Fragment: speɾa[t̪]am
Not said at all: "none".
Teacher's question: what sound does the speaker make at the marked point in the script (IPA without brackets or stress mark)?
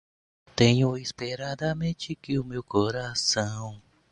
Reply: d̪